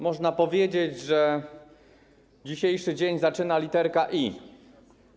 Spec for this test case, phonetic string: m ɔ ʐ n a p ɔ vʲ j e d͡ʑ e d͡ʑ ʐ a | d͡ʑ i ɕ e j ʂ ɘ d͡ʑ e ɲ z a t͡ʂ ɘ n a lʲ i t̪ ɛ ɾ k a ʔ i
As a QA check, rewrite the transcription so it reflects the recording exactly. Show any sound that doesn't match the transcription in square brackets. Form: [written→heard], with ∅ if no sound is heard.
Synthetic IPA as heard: m ɔ ʐ n a p ɔ vʲ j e d͡ʑ e d͡ʑ ʐ [a→ɛ] | d͡ʑ i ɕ e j ʂ ɘ d͡ʑ e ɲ z a t͡ʂ ɘ n a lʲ i t̪ ɛ ɾ k a ʔ i